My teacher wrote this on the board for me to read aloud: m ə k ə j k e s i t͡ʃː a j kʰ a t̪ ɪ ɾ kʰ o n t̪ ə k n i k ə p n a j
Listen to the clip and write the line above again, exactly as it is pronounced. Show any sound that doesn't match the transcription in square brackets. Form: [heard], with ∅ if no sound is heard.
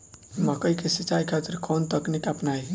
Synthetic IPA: m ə k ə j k e s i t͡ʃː a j kʰ a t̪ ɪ ɾ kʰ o n t̪ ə k n i k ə p n a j